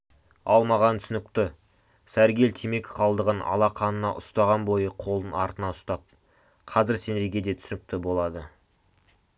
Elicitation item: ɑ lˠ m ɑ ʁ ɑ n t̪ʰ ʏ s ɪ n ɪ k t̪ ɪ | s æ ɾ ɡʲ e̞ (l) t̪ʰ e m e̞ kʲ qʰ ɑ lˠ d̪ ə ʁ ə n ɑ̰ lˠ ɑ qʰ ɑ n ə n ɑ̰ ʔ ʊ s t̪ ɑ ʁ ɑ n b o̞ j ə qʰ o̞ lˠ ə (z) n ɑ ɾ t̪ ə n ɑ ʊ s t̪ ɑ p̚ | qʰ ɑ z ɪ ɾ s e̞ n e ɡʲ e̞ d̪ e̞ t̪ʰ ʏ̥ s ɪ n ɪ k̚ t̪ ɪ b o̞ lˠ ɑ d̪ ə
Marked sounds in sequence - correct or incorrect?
correct, incorrect: none

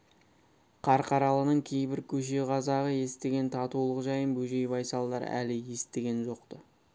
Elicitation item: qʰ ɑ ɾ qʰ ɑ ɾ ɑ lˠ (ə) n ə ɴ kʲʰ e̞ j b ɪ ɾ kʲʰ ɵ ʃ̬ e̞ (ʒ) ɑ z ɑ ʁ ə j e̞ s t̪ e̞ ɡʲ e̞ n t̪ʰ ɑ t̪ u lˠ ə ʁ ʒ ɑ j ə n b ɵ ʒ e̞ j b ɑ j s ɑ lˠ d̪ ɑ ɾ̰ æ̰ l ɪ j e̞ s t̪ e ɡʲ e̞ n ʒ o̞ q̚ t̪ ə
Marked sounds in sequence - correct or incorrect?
correct, incorrect: ʁ

